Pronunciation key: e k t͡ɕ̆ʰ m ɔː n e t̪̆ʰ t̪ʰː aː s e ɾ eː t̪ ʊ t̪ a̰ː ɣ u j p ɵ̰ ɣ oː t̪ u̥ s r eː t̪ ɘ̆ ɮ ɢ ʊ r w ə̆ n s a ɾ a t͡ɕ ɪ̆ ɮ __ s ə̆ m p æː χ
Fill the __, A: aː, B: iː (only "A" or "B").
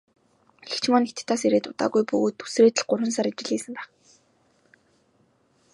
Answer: B